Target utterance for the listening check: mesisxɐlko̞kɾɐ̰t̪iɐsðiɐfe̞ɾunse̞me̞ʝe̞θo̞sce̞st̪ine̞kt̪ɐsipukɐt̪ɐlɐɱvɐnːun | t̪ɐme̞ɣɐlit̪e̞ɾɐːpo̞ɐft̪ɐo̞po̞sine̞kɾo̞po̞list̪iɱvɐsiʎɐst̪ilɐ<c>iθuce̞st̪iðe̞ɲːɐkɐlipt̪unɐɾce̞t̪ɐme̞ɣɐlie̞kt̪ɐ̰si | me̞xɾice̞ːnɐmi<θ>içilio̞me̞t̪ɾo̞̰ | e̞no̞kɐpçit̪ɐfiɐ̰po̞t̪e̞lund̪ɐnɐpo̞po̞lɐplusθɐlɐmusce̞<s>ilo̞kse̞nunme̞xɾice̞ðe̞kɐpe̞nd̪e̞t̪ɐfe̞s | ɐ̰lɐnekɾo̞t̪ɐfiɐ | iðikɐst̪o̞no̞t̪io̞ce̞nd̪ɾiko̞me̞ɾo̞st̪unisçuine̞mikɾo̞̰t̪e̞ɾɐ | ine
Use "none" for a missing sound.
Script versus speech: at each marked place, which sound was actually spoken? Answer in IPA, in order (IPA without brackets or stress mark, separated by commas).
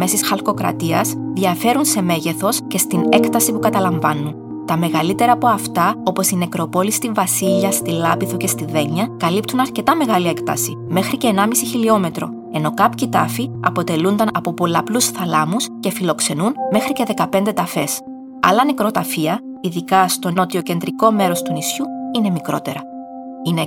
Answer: p, s, f